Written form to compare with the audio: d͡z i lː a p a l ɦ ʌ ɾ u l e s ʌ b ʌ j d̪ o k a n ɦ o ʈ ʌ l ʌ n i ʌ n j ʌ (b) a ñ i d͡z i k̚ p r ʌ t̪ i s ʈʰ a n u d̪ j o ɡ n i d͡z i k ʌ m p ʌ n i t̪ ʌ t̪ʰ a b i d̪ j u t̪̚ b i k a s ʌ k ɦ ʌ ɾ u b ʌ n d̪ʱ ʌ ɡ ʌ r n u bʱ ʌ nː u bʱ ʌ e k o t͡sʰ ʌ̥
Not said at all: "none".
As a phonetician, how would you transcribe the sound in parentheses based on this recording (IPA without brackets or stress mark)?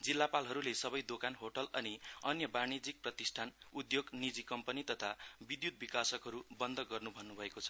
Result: b